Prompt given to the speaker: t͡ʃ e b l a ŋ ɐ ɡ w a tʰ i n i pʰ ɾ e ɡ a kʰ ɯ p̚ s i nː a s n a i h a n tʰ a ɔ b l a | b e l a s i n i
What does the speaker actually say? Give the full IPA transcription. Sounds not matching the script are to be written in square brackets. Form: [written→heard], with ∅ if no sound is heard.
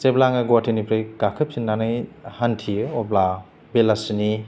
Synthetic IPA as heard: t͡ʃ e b l a ŋ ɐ ɡ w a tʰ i n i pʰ ɾ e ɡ a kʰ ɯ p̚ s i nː a [s→∅] n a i h a n tʰ [a→i] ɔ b l a | b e l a s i n i